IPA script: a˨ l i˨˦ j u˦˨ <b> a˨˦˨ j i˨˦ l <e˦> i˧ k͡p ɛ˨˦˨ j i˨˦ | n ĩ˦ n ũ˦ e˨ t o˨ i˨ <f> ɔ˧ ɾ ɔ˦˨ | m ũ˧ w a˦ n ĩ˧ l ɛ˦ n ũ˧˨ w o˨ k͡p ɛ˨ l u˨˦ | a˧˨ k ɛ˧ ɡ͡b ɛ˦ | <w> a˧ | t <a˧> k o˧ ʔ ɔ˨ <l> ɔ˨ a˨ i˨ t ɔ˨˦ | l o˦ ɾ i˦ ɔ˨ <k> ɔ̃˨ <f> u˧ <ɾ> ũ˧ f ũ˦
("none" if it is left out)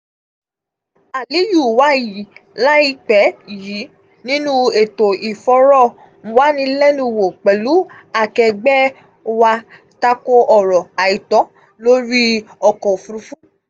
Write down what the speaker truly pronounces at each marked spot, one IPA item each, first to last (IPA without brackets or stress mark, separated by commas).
w, a˦, f, w, a˧, ɾ, k, f, ɾ